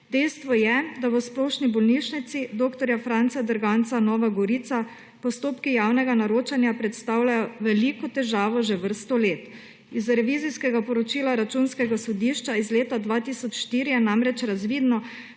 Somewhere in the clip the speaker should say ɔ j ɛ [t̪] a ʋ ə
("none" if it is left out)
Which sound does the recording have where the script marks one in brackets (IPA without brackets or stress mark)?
d̪